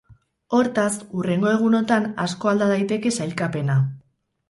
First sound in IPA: o̞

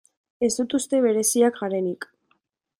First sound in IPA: e̞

